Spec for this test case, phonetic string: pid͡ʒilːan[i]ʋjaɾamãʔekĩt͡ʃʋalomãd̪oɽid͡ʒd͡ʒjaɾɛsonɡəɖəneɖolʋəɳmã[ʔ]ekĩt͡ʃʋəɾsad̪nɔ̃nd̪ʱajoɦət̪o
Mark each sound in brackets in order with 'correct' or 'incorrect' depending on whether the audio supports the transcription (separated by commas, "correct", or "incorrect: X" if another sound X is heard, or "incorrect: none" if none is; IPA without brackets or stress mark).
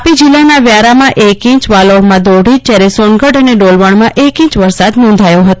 incorrect: a, correct